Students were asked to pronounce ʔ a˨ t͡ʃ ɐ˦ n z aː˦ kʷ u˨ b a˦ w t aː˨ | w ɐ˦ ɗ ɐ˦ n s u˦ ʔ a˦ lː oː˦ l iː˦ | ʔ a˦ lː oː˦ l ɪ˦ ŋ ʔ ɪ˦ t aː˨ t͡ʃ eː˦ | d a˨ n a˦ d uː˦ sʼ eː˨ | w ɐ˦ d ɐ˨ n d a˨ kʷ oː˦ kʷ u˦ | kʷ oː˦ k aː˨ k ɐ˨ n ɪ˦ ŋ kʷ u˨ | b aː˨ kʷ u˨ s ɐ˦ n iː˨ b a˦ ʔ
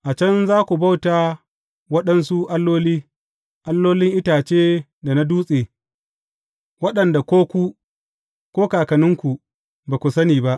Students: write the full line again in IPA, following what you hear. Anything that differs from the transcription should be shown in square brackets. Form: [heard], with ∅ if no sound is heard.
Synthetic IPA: ʔ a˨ t͡ʃ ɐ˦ n z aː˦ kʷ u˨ b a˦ w t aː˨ | w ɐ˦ ɗ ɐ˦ n s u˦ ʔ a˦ lː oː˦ l iː˦ | ʔ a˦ lː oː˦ l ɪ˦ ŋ ʔ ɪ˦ t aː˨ t͡ʃ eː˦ | d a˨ n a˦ d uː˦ sʼ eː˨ | w ɐ˦ [ɗ] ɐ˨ n d a˨ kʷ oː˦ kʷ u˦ | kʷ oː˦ k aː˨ k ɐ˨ n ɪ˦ ŋ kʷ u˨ | b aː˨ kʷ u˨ s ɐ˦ n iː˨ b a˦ ʔ